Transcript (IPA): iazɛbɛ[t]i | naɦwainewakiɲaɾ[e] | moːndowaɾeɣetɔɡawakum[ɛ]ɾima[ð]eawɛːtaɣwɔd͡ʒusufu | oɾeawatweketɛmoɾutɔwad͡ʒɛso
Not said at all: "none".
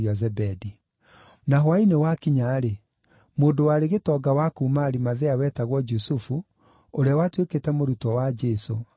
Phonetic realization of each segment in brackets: d, e, a, ð

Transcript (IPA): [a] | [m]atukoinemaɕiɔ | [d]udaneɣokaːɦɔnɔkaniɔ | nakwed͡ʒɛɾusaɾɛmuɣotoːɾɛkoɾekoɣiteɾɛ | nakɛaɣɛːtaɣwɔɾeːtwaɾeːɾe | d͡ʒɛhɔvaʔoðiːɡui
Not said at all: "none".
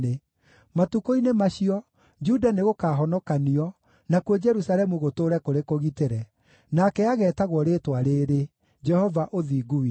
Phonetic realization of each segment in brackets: e, m, d͡ʒ

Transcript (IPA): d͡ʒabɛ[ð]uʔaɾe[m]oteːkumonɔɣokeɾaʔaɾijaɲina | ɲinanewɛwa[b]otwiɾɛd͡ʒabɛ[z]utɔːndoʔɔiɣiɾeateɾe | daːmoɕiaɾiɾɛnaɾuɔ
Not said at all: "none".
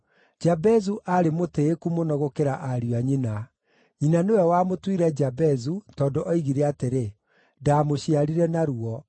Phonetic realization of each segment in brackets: z, m, m, z

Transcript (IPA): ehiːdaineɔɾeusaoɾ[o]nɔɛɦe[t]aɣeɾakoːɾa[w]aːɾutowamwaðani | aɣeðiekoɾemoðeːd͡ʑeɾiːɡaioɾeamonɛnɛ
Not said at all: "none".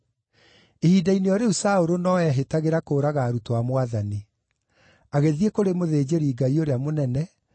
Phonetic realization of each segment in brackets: o, t, ɣ

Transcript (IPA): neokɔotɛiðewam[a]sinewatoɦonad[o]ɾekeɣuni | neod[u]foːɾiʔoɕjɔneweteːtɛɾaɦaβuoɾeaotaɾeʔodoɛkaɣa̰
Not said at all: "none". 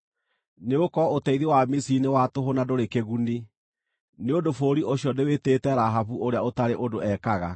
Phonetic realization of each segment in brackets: i, o, o

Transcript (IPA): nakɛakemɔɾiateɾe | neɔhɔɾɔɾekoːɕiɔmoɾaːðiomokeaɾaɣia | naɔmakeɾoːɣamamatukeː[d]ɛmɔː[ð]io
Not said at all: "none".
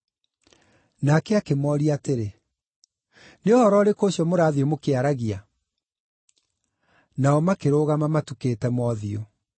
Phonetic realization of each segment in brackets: t, ð

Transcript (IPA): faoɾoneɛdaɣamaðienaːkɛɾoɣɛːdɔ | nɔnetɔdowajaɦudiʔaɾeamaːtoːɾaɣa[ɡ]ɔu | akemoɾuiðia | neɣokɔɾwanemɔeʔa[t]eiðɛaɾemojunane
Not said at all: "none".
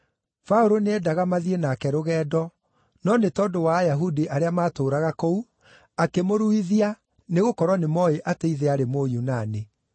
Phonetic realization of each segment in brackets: k, t

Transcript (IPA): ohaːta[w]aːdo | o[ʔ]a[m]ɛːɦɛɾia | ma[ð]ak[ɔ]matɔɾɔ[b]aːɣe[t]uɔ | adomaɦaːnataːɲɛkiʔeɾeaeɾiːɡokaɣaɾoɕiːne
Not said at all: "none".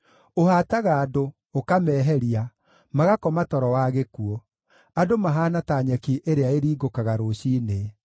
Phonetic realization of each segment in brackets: ɣ, k, m, ɣ, ɔ, w, k

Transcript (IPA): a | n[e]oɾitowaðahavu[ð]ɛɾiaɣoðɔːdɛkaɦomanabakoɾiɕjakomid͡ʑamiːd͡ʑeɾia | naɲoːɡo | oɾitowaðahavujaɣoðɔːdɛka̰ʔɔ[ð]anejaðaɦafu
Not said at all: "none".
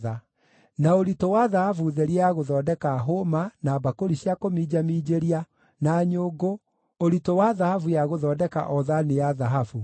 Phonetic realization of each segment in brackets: a, ð, ð

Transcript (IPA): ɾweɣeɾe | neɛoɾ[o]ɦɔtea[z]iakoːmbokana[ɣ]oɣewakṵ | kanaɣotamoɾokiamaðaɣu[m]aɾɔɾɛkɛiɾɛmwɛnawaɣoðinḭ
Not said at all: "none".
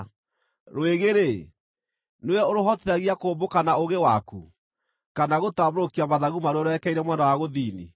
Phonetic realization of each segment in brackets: o, ɣ, none, m

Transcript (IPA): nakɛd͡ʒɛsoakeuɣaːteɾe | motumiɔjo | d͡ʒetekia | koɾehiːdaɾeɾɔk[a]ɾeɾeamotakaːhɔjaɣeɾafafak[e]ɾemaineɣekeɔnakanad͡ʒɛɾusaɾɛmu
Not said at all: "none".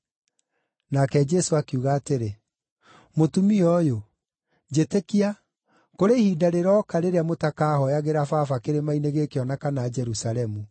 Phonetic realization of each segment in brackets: a, e

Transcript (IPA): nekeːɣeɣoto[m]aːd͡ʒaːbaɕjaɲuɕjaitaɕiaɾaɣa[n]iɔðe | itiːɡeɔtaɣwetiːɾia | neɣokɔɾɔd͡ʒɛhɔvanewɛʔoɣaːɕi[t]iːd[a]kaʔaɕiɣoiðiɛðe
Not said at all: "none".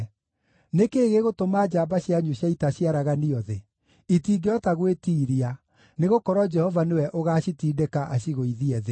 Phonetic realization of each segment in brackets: m, n, t, e

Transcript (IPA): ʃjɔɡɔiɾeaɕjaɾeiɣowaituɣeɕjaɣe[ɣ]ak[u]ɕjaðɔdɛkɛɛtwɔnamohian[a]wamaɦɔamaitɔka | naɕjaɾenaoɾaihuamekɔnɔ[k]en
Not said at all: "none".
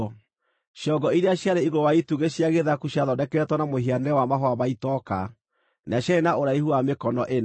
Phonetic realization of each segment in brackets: ð, u, ɛ, ʔ

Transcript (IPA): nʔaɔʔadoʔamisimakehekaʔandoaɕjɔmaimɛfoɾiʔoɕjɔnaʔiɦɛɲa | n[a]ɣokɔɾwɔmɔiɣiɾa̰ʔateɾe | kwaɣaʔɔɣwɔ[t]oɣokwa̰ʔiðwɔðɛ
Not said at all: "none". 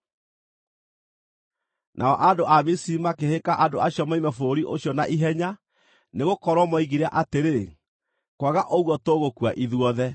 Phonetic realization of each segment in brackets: e, t

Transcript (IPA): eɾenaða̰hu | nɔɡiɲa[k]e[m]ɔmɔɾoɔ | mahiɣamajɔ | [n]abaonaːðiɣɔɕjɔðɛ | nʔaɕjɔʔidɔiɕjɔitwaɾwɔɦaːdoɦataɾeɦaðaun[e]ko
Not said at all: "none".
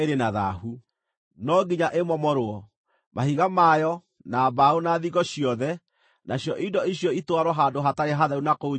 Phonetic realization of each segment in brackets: ʔ, m, n, a

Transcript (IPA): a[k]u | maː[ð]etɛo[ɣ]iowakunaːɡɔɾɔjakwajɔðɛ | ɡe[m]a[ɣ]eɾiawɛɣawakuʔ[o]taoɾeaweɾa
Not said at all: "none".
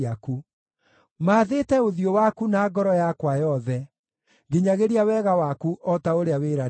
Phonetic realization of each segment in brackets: k, ð, ð, ɲ, ɣ, ɔ

